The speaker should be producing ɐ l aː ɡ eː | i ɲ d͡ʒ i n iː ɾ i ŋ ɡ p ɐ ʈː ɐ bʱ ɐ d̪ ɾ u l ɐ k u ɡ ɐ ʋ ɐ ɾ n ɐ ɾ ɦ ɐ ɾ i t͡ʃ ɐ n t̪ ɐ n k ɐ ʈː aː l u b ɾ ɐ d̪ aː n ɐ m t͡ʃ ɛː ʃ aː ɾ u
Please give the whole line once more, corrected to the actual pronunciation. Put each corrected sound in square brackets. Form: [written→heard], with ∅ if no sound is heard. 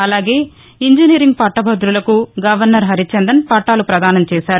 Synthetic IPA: ɐ l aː ɡ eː | i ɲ d͡ʒ i n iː ɾ i ŋ ɡ p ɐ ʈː ɐ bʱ ɐ d̪ ɾ u l ɐ k u ɡ ɐ ʋ ɐ ɾ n ɐ ɾ ɦ ɐ ɾ i t͡ʃ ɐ n [t̪→d̪] ɐ n [k→p] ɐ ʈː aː l u [b→p] ɾ ɐ d̪ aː n ɐ m t͡ʃ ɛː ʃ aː ɾ u